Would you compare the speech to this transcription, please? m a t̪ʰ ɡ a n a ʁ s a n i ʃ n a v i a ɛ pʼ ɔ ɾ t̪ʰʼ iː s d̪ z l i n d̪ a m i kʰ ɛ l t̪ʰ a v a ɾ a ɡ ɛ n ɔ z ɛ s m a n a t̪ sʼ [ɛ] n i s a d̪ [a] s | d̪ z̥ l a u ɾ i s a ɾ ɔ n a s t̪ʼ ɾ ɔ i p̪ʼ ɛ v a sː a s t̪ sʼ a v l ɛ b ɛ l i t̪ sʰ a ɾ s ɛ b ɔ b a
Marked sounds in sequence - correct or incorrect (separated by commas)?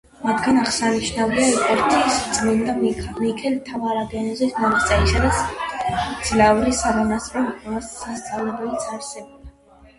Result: correct, correct